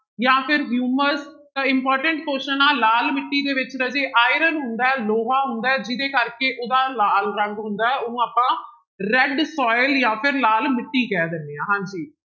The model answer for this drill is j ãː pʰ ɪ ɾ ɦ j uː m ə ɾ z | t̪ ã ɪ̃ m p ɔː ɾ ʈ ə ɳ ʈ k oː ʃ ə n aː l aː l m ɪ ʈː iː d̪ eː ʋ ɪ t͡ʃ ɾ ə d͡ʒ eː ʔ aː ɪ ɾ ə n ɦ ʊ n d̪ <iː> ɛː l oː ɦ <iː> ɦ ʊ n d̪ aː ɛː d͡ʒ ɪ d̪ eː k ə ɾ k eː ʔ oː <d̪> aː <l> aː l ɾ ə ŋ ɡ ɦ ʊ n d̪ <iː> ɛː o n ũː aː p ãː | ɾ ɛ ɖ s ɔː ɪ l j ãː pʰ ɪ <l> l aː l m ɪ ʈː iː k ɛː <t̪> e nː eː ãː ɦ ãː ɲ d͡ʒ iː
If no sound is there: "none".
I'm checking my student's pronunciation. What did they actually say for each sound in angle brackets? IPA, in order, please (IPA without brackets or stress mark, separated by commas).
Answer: aː, aː, d̪, l, aː, ɾ, d̪